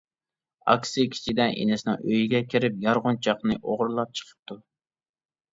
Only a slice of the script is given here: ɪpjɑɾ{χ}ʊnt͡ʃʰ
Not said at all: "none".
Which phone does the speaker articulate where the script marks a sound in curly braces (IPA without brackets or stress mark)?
ʁ